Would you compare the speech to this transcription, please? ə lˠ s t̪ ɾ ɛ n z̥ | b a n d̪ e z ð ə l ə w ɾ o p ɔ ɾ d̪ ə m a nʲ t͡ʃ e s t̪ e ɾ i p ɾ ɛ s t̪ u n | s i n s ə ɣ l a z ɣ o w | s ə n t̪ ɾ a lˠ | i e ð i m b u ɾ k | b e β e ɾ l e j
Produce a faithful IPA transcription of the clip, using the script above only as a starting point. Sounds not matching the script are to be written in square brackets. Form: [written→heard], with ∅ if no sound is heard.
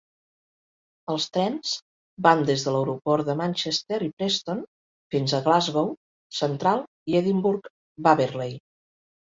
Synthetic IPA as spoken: ə lˠ s t̪ ɾ ɛ n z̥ | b a n d̪ e z ð ə l ə w ɾ [o→u] p ɔ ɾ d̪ ə m a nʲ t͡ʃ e s t̪ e ɾ i p ɾ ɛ s t̪ [u→o] n | [s→f] i n [s→z] ə ɣ l a z ɣ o w | s ə n t̪ ɾ a lˠ | i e ð i m b u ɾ k | b [e→a] β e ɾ l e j